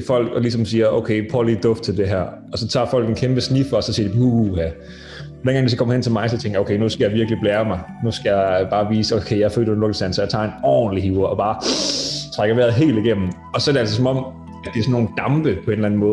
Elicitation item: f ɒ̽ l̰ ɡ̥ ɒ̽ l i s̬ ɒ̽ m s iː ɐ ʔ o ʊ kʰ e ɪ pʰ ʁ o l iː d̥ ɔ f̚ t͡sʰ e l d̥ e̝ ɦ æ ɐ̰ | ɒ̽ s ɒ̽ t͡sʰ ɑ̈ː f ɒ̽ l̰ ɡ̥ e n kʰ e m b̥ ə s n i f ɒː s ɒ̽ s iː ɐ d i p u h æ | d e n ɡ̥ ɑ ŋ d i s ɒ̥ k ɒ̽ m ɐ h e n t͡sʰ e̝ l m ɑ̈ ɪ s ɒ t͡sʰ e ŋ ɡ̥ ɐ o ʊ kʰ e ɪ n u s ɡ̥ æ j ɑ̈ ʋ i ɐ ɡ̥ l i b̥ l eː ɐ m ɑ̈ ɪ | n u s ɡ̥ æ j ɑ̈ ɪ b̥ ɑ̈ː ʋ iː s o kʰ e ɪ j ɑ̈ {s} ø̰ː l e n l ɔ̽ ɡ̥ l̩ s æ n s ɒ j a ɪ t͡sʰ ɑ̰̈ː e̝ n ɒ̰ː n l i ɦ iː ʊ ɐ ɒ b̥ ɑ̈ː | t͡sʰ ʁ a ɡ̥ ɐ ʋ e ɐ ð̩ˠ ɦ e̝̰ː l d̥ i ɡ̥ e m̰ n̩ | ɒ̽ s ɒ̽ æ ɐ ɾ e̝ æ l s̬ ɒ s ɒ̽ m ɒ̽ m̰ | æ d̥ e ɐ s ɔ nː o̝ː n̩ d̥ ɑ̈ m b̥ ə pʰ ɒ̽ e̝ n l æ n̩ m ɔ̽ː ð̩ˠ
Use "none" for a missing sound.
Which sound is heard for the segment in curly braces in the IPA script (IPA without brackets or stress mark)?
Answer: f